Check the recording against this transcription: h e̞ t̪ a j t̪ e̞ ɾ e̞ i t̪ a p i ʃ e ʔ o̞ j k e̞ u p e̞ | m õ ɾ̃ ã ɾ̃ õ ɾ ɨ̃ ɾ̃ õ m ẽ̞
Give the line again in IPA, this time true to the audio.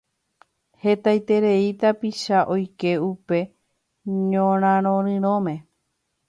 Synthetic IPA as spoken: h e̞ t̪ a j t̪ e̞ ɾ e̞ i t̪ a p i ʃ a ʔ o̞ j k e̞ u p e̞ | ɲ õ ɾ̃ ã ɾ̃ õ ɾ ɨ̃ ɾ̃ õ m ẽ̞